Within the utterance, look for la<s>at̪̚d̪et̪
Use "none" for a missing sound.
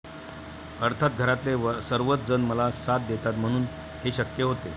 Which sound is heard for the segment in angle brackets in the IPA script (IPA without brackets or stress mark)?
s